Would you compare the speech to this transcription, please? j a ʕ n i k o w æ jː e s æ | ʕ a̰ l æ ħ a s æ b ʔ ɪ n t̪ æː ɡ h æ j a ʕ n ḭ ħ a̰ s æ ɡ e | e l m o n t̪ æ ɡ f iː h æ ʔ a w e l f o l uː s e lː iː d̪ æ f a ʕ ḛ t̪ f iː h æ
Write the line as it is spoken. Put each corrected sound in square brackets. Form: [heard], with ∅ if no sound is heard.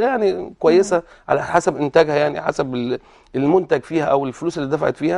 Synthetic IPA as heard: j a ʕ n i k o w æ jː e s æ | ʕ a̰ l æ ħ a s æ b ʔ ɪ n t̪ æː ɡ h æ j a ʕ n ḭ ħ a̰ s æ [b] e | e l m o n t̪ æ ɡ f iː h æ ʔ [æ] w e l f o l uː s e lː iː d̪ æ f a ʕ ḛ t̪ f iː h æ

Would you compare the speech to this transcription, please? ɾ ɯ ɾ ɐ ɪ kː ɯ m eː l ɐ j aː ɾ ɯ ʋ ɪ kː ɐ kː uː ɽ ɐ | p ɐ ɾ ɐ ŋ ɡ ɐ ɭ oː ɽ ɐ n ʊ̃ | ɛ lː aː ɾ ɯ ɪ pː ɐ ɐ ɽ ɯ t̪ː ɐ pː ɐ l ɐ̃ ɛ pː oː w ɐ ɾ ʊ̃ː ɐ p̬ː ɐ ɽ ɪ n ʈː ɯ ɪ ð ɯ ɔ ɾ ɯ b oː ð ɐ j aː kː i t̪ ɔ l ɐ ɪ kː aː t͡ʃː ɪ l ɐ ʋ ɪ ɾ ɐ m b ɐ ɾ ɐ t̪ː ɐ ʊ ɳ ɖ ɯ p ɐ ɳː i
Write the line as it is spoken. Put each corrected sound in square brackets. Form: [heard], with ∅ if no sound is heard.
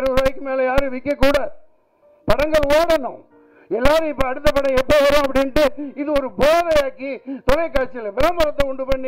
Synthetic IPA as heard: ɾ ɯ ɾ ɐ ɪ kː ɯ m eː l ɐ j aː ɾ ɯ ʋ ɪ kː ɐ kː uː ɽ ɐ | p ɐ [ɽ] ɐ ŋ ɡ ɐ ɭ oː ɽ ɐ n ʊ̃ | ɛ lː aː ɾ ɯ ɪ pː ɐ ɐ ɽ ɯ t̪ː ɐ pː ɐ [ɽ] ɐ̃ ɛ pː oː [ʋ] ɐ ɾ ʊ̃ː ɐ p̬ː ɐ ɽ ɪ n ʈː ɯ ɪ ð ɯ ɔ ɾ ɯ b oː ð ɐ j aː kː i t̪ ɔ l ɐ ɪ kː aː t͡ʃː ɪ l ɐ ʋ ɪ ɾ ɐ m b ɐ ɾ ɐ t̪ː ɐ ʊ ɳ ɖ ɯ p ɐ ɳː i

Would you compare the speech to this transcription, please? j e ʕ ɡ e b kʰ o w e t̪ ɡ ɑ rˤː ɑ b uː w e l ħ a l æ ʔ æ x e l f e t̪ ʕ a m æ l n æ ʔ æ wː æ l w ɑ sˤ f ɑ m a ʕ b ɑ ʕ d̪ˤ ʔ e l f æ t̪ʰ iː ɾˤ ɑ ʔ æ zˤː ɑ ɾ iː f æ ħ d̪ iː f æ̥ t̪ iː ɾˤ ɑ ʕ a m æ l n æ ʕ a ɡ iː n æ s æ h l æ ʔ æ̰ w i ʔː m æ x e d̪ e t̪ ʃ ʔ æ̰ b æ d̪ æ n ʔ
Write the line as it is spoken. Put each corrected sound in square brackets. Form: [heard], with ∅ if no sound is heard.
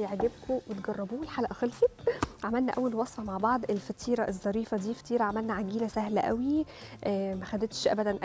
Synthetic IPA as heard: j e ʕ ɡ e b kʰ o w e t̪ ɡ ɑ rˤː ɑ b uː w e l ħ a l æ ʔ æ x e l f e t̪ ʕ a m æ l n æ ʔ æ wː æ l w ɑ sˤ f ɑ m a ʕ b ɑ ʕ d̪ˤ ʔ e l f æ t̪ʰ iː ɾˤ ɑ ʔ [e] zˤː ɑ ɾ iː f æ [∅] d̪ iː f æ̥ t̪ iː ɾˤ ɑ ʕ a m æ l n æ ʕ a ɡ iː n æ s æ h l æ ʔ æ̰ w i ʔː m æ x [æ] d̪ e t̪ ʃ ʔ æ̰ b æ d̪ æ n ʔ

